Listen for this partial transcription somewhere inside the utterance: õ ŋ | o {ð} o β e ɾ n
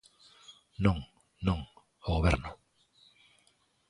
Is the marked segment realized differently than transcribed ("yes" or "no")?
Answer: yes